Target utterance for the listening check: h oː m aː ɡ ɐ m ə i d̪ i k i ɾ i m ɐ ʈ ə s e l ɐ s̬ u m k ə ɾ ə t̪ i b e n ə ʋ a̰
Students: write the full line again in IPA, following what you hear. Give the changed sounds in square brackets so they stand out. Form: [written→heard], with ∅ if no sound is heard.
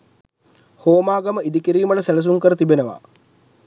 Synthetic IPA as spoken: h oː m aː ɡ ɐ m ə i d̪ i k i ɾ [i→iː] m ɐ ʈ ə s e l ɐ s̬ u [m→ŋ] k ə ɾ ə t̪ i b e n ə ʋ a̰